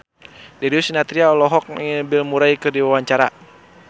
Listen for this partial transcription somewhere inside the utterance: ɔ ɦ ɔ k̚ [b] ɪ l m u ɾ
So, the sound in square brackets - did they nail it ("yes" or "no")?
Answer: yes